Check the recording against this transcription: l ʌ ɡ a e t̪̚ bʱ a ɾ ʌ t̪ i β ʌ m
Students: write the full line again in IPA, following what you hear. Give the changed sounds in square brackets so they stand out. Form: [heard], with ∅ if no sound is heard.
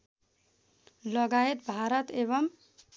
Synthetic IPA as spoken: l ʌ ɡ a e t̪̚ bʱ a ɾ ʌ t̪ [e] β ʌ m